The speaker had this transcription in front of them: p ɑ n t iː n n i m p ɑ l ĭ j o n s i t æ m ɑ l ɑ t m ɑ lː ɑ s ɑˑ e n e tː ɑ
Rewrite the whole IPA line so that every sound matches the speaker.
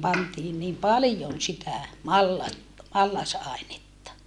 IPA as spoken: p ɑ n t iː n n iː m p ɑ l ĭ j o n s i t æ m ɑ lː ɑ t m ɑ lː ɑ s ɑˑ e n e tː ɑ